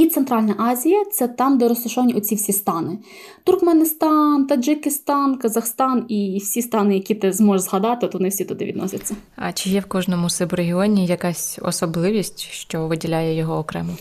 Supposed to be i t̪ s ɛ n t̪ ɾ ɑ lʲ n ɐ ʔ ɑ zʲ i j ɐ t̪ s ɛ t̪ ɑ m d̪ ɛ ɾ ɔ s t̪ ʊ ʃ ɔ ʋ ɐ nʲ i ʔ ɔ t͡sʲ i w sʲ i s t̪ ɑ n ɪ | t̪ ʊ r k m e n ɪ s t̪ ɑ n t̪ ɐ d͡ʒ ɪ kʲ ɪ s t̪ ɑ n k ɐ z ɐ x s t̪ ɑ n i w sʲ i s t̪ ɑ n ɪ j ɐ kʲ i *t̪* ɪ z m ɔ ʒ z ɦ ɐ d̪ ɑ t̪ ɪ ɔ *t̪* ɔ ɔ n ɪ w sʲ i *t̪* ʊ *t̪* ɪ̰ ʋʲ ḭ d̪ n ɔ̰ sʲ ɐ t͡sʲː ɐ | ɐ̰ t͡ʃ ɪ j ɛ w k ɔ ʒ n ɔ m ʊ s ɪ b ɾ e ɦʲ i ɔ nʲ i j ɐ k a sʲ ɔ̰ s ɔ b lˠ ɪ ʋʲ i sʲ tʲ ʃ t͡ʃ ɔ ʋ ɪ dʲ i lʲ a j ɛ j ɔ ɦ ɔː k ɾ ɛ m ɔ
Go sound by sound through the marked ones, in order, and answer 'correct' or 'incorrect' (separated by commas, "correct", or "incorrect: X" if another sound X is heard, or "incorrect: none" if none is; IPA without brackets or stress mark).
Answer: correct, correct, correct, incorrect: d̪